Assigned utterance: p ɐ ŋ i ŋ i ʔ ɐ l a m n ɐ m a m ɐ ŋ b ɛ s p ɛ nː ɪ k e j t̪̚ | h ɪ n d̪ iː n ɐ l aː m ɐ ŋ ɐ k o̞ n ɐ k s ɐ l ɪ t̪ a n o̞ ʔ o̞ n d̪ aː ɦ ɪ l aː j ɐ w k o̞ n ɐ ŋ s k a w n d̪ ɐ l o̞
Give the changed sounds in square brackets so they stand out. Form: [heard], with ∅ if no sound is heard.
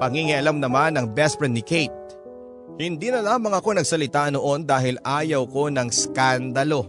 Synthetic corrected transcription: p ɐ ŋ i ŋ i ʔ ɐ l a m n ɐ m a [n] ɐ ŋ b ɛ s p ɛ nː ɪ k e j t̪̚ | h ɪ n d̪ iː n ɐ l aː m ɐ ŋ ɐ k o̞ n ɐ [ɡ] s ɐ l ɪ t̪ a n o̞ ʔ o̞ n d̪ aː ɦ ɪ l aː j ɐ w k o̞ n ɐ ŋ s k a [∅] n d̪ ɐ l o̞